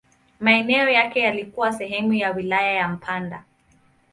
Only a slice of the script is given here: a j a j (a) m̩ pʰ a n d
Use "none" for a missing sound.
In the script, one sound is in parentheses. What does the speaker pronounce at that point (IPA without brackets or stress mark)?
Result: a